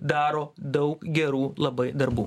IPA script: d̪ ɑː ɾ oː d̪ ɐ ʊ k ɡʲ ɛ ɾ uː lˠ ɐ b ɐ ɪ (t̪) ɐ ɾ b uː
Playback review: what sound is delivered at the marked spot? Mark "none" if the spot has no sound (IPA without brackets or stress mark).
d̪